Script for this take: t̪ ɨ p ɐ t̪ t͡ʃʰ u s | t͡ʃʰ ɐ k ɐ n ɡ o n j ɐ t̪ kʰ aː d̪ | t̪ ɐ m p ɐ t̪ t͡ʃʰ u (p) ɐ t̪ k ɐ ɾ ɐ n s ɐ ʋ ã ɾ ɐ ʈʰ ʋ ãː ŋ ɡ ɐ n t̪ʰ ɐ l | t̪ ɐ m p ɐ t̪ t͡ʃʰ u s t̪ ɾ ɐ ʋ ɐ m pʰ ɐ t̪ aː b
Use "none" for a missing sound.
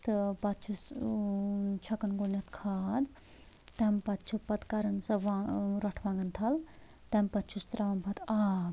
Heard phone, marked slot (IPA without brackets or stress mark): p